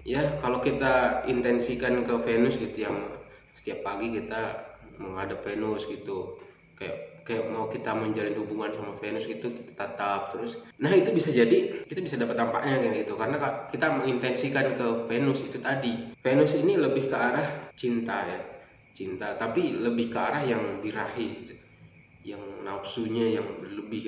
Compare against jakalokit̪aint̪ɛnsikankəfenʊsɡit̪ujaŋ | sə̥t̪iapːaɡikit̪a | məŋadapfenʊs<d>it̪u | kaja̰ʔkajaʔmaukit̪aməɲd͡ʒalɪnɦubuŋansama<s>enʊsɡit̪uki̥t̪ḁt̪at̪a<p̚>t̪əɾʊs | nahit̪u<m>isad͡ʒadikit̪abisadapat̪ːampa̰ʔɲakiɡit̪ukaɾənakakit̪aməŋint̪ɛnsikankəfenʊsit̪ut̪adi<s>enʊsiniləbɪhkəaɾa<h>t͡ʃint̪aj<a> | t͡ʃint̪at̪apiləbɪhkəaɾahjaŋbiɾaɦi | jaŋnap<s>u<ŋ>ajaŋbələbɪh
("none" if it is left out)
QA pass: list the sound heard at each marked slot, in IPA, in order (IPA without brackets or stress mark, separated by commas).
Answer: ɡ, f, p̚, b, f, h, a, s, ɲ